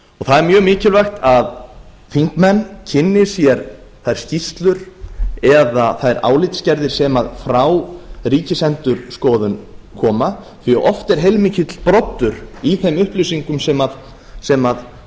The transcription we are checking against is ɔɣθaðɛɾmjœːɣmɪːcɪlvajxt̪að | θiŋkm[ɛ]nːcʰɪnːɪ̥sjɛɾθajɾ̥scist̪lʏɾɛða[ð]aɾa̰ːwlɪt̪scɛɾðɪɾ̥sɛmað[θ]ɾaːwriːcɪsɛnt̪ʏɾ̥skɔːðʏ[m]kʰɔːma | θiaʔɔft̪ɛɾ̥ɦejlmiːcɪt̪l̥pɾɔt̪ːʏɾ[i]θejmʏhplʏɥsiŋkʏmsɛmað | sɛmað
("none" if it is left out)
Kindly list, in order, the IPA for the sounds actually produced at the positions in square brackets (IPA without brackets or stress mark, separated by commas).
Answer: ɛ, θ, f, n, i